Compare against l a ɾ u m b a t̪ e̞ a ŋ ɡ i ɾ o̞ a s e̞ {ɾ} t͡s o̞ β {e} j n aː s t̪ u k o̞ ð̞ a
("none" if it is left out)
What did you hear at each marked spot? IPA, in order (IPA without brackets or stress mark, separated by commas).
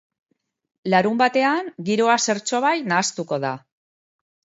ɾ, a